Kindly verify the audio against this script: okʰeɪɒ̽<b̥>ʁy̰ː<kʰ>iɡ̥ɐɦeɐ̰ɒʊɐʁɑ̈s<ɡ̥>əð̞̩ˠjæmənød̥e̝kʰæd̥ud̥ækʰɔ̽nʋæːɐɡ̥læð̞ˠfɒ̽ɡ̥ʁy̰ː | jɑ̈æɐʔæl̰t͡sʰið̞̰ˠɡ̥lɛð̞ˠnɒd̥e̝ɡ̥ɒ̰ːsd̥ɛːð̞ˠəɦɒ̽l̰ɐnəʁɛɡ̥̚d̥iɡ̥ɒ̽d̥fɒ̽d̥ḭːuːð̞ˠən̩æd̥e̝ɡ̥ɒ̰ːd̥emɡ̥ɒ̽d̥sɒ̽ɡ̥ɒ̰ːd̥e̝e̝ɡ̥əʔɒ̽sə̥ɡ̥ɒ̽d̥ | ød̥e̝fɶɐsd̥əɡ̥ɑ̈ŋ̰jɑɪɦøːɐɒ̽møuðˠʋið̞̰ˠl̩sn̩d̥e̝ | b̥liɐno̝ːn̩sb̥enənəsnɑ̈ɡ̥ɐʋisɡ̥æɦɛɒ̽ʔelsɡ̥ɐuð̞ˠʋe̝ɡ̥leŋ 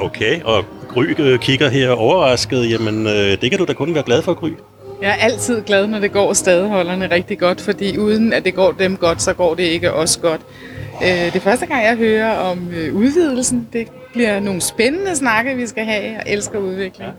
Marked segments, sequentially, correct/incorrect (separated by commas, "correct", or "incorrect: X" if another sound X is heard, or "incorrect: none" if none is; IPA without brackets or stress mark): incorrect: ɡ̥, correct, correct